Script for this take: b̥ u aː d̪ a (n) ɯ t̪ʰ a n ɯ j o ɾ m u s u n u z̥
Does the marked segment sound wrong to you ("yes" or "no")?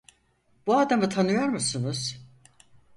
yes